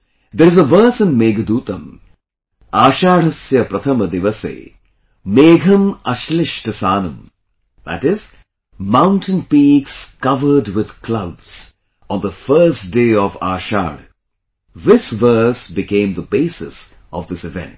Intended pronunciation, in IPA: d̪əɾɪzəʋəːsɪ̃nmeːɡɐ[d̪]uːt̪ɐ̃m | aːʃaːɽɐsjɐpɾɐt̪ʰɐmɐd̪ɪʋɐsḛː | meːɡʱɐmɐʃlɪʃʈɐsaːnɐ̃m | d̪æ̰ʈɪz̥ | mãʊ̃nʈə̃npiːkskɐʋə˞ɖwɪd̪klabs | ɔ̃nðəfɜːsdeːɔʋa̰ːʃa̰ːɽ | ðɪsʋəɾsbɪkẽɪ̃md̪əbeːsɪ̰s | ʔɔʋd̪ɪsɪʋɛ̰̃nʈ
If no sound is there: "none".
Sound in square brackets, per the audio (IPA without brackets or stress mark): d̪